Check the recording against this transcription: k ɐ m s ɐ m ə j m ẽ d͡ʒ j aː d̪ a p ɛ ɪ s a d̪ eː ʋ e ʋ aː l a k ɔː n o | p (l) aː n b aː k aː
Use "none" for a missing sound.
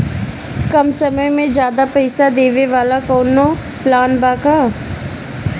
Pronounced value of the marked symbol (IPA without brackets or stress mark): l